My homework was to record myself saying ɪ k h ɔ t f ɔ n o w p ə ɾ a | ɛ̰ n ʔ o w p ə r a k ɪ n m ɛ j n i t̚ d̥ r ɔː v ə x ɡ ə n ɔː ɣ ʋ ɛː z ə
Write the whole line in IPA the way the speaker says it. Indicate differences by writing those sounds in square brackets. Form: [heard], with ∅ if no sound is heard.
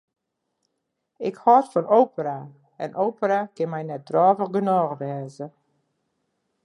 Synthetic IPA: ɪ k h ɔ t f ɔ n o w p ə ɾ a | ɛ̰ n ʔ o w p ə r a k ɪ n m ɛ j n [ɛ] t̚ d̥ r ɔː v ə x ɡ ə n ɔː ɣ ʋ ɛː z ə